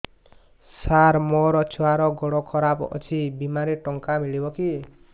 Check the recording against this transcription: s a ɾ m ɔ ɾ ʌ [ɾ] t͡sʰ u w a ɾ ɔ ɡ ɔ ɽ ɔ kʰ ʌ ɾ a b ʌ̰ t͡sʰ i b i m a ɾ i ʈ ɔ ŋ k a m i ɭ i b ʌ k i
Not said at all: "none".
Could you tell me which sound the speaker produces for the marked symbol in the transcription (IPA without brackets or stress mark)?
none